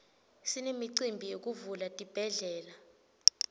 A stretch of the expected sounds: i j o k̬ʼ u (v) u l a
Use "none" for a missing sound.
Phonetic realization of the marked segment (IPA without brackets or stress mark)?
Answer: v